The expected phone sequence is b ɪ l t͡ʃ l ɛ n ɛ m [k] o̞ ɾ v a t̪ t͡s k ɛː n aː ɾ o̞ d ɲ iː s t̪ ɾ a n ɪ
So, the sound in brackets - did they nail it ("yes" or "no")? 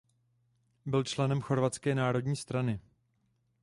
no